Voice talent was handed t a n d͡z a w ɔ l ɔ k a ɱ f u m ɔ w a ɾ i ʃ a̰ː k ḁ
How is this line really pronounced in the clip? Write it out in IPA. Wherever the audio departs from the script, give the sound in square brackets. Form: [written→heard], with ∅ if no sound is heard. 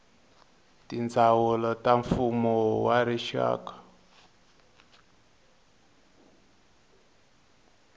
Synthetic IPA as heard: t [a→i] n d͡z a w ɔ l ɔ [k→t] a ɱ f u m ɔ w a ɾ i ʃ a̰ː k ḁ